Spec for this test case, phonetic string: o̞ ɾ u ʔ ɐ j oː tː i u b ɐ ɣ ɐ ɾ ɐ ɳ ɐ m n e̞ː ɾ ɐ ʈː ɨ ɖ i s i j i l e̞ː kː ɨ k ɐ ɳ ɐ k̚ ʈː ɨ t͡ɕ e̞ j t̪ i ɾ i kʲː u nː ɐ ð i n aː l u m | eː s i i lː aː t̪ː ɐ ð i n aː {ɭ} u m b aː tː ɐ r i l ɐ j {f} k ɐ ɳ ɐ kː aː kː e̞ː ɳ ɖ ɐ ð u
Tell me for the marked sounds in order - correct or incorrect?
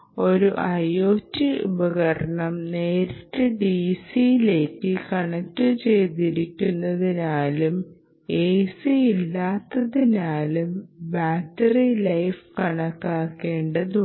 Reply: incorrect: l, correct

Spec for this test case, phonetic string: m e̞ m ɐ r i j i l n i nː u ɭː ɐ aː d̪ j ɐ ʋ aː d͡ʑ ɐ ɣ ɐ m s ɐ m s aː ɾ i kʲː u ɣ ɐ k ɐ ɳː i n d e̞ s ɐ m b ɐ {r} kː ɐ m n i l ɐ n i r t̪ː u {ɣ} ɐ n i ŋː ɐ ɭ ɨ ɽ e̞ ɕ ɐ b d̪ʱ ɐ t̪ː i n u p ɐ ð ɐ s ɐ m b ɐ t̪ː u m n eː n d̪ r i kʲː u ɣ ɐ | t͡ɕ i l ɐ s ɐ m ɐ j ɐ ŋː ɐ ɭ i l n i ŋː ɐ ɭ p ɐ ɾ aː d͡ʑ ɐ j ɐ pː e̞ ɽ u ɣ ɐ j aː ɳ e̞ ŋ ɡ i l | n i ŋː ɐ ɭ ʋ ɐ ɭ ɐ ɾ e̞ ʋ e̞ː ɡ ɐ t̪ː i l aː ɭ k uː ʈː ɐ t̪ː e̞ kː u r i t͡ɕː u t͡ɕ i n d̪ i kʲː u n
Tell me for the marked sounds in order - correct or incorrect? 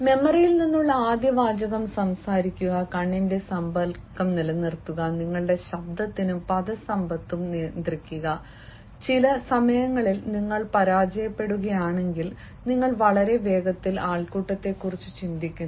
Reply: incorrect: l, correct

